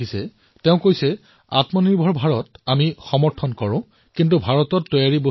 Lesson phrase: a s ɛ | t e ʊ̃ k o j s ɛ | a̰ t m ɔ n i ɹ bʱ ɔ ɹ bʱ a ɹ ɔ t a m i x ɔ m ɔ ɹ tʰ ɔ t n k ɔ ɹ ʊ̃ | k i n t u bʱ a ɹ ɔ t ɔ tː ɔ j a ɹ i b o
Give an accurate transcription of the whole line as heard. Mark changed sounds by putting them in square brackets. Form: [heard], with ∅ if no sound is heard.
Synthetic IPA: [i] s ɛ | t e ʊ̃ k o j s ɛ | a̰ t m ɔ n i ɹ bʱ ɔ ɹ bʱ a ɹ ɔ t a m i x ɔ m ɔ ɹ tʰ ɔ [∅] n k ɔ ɹ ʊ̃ | k i n t u bʱ a ɹ ɔ t ɔ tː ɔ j a ɹ i b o